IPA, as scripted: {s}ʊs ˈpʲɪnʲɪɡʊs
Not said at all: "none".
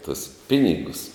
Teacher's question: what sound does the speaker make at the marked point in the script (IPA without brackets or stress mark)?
t